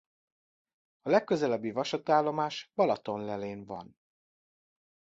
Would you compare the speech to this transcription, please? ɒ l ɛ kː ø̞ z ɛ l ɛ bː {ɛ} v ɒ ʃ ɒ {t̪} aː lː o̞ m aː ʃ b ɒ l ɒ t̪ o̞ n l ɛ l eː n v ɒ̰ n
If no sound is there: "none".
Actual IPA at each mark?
i, t̪

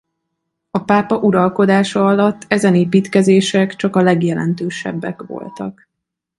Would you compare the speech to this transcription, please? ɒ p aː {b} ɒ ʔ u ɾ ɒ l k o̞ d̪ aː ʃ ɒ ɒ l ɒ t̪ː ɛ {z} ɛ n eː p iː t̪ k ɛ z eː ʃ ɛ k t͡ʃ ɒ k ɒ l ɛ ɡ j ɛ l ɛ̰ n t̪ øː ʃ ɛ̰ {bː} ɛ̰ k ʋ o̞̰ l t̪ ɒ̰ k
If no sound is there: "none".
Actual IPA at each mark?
p, z, bː

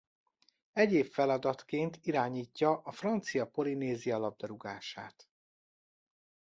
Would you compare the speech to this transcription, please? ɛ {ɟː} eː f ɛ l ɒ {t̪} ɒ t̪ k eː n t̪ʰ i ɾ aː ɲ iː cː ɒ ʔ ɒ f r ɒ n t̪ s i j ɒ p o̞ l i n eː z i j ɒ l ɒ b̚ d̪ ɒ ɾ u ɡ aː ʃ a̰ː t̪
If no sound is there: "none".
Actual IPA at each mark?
ɟ, d̪

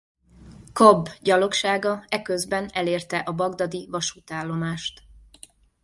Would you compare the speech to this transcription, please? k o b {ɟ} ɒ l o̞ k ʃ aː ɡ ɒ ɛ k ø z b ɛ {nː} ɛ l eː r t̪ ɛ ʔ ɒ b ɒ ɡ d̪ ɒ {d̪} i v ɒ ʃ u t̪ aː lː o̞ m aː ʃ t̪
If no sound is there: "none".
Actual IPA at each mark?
ɟ, n, d̪

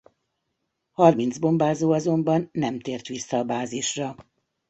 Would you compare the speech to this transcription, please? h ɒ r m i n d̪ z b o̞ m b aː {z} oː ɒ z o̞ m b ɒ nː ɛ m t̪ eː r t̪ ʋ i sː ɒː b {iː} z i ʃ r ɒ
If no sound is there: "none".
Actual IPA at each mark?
z, aː

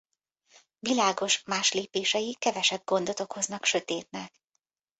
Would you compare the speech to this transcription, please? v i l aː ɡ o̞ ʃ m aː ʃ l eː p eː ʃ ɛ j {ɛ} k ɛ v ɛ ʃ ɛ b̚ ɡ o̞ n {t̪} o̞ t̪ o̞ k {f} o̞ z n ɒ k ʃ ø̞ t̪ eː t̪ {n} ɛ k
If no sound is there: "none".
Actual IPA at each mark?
i, d̪, h, n

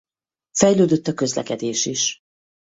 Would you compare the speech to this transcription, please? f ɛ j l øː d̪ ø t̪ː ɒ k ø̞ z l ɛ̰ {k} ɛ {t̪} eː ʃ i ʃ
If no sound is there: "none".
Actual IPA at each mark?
k, d̪

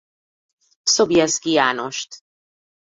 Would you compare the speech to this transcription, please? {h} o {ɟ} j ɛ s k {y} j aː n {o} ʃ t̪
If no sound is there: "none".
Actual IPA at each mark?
s, b, i, o

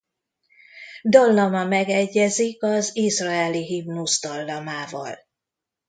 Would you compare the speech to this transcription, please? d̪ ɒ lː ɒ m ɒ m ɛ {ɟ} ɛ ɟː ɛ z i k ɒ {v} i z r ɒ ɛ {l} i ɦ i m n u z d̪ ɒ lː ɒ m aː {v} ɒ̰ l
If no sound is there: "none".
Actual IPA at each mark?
ɡ, z, l, v

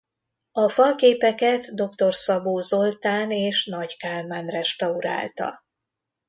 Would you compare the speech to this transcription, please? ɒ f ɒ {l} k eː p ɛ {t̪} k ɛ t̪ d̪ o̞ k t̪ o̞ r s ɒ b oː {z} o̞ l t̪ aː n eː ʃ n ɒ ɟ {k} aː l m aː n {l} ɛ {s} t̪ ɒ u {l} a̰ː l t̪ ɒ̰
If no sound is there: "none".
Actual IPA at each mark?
l, none, z, k, r, ʃ, ɾ

